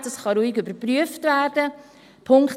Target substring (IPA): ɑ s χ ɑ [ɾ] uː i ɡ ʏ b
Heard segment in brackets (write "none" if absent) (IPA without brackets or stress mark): ɾ